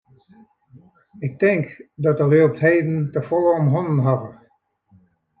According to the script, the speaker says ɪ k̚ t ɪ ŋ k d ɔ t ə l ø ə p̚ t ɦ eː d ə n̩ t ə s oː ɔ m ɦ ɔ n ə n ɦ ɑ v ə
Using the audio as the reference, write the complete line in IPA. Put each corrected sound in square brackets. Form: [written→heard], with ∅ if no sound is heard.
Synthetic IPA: ɪ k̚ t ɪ ŋ k d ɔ t ə l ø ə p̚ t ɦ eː d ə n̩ t ə [s→f] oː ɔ m ɦ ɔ n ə n ɦ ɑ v ə